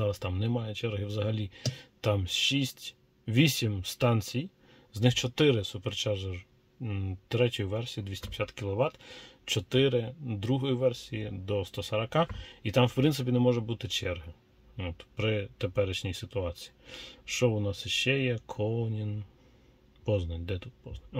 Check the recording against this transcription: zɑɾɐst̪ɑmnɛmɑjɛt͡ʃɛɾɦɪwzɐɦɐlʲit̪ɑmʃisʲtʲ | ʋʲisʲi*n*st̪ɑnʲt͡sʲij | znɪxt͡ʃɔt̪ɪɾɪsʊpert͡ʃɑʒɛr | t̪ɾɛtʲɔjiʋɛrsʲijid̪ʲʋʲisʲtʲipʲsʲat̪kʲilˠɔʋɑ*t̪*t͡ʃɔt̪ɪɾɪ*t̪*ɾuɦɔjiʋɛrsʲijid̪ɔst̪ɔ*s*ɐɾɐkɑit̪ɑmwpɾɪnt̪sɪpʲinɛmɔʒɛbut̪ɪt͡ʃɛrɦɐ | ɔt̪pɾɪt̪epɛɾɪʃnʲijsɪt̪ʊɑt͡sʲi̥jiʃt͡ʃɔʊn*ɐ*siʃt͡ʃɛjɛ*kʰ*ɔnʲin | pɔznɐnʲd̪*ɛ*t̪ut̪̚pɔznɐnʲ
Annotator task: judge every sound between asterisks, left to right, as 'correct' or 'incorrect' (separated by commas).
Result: incorrect, correct, incorrect, correct, incorrect, correct, correct